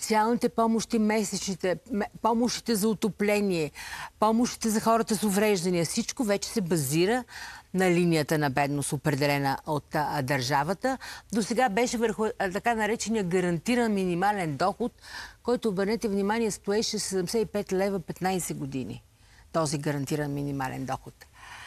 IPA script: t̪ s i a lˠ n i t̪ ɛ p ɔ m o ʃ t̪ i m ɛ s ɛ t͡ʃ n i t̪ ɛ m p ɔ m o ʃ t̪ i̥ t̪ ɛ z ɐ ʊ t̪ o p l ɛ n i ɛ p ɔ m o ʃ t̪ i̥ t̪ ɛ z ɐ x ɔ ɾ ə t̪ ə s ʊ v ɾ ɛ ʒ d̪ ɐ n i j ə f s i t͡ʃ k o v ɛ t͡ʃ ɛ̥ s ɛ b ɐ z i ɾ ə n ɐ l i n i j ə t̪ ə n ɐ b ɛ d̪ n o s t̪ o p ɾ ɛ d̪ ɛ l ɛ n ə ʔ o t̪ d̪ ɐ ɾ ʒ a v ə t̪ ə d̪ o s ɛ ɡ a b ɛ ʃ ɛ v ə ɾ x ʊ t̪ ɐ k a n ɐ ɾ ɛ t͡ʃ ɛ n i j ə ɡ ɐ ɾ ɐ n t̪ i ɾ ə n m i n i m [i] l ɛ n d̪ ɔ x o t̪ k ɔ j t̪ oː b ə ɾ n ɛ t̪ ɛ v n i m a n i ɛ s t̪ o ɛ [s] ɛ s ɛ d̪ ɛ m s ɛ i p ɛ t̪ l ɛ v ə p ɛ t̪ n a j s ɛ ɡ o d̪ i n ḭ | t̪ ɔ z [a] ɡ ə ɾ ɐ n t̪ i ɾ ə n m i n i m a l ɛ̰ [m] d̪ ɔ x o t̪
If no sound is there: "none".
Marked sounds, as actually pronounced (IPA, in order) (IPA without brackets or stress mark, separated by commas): a, ʃ, i, n